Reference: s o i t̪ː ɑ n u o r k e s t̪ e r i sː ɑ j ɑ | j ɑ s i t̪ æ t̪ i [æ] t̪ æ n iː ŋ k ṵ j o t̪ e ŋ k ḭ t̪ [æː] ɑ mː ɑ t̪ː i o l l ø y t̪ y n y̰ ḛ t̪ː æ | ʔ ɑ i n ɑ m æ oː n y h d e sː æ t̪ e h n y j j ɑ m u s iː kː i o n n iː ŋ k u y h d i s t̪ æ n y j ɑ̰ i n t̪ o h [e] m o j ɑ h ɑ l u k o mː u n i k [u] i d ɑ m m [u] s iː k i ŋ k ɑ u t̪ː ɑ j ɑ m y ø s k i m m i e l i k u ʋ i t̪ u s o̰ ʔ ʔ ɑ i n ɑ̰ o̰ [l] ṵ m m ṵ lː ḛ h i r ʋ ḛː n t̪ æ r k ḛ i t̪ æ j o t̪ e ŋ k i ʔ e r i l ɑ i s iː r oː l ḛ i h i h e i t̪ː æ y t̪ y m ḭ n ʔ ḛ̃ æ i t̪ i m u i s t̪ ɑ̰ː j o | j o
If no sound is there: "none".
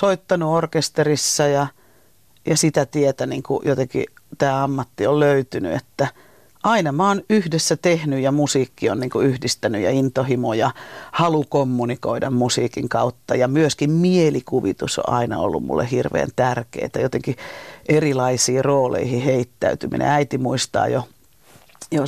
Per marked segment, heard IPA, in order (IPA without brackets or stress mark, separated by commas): e, æː, i, o, u, lː